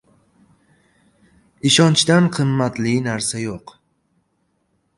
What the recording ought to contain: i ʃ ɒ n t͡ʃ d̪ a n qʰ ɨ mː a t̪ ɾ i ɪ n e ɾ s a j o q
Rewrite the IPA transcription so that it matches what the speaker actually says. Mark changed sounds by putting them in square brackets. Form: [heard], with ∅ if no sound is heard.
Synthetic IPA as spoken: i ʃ ɒ n t͡ʃ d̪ a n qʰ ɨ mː a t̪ [l] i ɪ n [a] ɾ s a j o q